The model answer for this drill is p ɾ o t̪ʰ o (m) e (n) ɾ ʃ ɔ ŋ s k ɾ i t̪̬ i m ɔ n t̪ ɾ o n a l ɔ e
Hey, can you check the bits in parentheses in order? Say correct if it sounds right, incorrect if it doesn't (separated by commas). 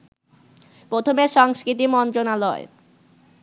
correct, incorrect